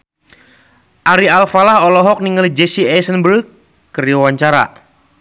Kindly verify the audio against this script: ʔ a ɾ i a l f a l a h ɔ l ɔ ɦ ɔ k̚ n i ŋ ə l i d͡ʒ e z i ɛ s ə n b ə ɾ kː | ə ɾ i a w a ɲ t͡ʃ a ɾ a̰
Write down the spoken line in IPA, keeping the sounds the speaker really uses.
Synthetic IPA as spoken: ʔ a ɾ i a l f a l a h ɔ l ɔ ɦ ɔ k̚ n i ŋ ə l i d͡ʒ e s i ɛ s ə n b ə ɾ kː | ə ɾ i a w a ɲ t͡ʃ a ɾ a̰